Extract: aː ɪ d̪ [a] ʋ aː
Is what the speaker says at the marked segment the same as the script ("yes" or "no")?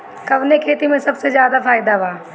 yes